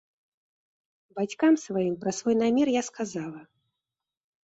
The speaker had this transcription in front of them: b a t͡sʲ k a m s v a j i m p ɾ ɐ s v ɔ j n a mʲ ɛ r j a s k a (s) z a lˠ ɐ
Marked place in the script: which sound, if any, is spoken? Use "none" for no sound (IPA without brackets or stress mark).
none